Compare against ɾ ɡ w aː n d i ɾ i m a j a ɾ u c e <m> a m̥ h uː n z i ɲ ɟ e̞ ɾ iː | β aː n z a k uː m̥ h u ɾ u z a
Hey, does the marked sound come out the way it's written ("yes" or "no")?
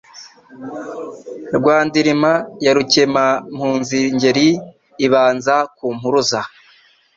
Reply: yes